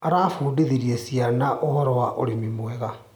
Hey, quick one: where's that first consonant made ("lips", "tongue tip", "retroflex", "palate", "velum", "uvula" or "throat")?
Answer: tongue tip